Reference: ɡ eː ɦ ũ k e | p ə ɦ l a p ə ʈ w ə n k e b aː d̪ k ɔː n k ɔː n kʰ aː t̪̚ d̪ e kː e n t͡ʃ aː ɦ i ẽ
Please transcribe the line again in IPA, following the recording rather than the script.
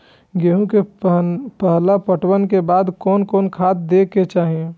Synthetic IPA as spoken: ɡ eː ɦ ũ k e | p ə ɦ l a p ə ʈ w ə n k e b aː d̪ k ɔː n k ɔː n kʰ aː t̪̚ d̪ e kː e t͡ʃ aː ɦ i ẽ